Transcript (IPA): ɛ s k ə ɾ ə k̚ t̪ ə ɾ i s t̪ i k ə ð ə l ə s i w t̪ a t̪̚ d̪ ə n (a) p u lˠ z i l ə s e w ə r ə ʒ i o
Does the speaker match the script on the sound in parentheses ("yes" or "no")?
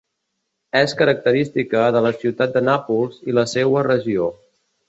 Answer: yes